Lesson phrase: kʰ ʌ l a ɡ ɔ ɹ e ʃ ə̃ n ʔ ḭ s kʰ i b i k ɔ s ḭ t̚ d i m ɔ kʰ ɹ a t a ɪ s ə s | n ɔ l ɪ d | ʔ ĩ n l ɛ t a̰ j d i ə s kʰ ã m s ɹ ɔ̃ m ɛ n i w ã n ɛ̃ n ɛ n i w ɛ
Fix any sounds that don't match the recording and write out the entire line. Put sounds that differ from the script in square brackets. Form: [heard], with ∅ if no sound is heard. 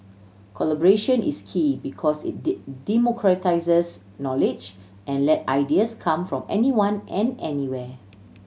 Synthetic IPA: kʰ [ɔ] l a [b] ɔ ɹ e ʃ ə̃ n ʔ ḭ s kʰ i b i [kʰ] ɔ s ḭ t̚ d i m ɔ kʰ ɹ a t a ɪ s ə s | n ɔ l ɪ [d͡ʒ] | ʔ [ɛ̃] n l ɛ t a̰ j d i ə s kʰ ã m [f] ɹ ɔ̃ m ɛ n i w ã n ɛ̃ n ɛ n i w ɛ